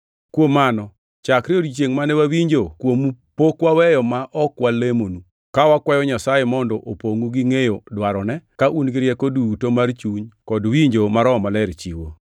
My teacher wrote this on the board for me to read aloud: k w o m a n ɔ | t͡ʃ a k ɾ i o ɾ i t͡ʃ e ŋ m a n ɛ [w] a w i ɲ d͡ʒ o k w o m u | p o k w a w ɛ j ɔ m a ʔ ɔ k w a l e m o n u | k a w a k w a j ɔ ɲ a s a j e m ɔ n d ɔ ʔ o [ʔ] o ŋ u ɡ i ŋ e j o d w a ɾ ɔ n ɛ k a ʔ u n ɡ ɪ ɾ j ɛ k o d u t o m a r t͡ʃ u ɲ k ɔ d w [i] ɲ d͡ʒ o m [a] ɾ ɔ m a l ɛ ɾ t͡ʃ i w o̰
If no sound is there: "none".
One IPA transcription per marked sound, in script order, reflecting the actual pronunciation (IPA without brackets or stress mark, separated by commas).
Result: w, p, i, a